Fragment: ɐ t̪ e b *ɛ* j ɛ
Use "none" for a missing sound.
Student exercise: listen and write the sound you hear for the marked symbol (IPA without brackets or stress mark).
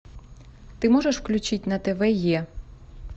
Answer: ɛ